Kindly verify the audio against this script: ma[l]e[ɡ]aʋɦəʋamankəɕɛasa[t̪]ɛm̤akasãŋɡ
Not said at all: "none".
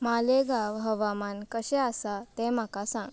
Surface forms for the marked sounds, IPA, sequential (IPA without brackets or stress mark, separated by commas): l, ɡ, t̪